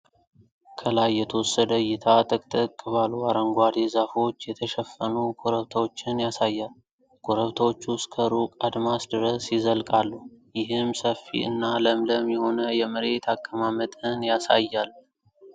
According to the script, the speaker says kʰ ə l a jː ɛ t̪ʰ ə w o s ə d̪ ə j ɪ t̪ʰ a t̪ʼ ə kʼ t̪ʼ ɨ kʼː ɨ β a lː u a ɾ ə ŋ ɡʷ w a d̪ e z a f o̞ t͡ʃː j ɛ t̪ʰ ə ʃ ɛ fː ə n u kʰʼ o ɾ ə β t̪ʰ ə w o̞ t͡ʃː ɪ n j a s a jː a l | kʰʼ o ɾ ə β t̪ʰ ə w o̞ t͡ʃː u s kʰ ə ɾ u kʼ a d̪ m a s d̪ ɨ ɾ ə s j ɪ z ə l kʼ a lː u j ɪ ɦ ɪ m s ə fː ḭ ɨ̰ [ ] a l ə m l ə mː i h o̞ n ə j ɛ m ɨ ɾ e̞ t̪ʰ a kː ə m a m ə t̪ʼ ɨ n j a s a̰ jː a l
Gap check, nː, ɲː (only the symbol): nː